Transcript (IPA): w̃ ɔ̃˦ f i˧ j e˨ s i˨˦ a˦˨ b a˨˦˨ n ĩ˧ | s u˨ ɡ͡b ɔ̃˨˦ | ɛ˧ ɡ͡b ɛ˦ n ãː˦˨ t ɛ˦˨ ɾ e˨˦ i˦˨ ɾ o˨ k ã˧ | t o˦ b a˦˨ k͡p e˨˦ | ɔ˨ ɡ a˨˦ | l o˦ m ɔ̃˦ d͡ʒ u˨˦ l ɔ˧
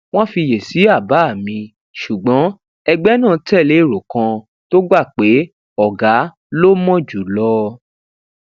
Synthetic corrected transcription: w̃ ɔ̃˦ f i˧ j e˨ s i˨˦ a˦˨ b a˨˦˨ m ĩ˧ | ʃ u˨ ɡ͡b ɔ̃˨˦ | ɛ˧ ɡ͡b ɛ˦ n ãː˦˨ t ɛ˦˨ l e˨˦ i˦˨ ɾ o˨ k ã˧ | t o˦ ɡ͡b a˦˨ k͡p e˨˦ | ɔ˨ ɡ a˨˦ | l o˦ m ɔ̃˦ d͡ʒ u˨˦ l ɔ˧